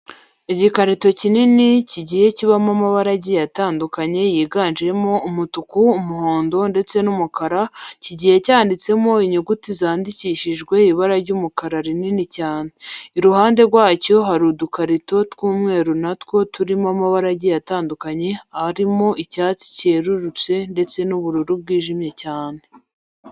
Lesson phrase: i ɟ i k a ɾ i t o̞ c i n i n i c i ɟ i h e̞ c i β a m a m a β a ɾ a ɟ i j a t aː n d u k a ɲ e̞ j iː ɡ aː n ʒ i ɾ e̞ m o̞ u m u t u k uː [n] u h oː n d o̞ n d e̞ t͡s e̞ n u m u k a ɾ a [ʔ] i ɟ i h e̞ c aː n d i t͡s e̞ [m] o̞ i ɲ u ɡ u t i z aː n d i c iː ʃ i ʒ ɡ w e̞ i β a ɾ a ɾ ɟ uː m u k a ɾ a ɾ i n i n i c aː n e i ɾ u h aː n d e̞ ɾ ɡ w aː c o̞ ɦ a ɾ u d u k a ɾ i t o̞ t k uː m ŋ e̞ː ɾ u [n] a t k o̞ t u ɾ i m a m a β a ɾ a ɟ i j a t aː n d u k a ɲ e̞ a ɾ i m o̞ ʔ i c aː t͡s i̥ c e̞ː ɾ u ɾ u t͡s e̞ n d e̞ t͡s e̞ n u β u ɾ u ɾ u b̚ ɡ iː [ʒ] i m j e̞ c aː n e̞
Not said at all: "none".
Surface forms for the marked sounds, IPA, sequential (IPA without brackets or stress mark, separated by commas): m, c, m, n, ʒ